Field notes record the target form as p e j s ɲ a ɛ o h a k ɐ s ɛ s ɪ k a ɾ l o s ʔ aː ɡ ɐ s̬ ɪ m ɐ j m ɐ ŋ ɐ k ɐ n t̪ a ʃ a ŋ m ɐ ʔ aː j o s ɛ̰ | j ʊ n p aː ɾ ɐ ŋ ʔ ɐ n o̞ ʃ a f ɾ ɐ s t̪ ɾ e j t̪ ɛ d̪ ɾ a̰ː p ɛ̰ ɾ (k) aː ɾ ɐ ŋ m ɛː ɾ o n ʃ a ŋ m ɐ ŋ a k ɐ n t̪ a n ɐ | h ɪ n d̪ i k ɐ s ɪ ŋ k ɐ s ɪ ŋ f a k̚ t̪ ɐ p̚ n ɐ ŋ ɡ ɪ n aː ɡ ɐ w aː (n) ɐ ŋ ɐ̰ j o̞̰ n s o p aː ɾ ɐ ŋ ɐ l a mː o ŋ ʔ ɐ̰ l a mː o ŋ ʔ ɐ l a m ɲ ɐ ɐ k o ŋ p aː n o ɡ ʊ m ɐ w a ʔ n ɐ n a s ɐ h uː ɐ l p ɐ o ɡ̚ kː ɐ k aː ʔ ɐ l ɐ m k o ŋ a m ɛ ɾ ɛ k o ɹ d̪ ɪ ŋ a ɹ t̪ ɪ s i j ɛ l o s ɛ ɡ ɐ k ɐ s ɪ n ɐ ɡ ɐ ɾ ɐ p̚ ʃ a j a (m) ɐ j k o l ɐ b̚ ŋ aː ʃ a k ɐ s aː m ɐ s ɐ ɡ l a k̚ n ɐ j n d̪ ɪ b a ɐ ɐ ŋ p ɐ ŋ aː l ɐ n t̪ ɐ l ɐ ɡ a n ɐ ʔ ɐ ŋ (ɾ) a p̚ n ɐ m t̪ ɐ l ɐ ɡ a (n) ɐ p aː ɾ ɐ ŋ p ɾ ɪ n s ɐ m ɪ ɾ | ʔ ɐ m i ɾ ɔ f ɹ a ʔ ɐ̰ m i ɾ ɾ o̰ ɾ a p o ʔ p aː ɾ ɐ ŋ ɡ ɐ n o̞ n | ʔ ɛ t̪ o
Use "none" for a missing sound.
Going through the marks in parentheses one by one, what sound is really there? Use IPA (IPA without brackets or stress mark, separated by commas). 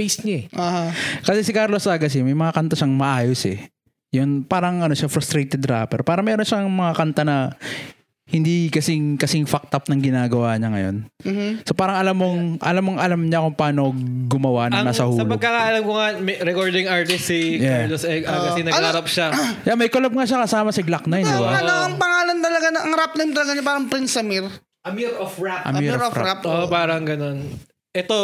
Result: p, ɲ, m, ɾ, ɲ